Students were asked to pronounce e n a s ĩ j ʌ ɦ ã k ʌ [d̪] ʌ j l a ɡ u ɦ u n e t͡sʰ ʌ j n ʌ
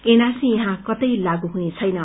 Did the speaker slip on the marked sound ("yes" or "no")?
yes